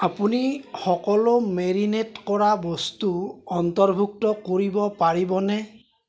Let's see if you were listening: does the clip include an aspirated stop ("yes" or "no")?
no